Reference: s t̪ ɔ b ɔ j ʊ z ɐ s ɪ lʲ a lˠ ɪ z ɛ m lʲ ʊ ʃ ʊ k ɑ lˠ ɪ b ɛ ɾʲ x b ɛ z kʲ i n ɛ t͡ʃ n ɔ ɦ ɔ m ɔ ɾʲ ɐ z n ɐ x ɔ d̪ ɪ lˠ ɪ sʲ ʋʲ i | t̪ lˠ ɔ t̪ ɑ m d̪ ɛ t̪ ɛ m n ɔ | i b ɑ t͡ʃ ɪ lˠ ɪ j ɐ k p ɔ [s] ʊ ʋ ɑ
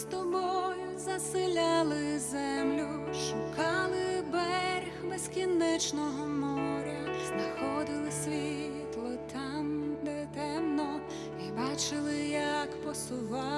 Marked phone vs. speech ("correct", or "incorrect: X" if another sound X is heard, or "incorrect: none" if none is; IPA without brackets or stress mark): correct